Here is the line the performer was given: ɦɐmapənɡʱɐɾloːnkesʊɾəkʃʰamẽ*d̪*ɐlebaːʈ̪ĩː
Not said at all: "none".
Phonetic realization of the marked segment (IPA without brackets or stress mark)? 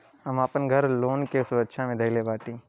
d̪